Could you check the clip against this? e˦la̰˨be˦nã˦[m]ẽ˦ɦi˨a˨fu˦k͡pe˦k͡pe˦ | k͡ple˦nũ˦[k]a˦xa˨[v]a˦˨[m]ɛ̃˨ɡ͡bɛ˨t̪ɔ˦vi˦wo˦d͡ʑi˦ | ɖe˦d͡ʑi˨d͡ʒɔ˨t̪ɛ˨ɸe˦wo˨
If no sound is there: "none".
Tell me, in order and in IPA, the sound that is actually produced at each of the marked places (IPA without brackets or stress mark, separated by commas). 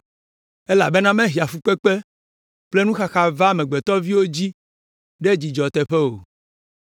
m, x, v, m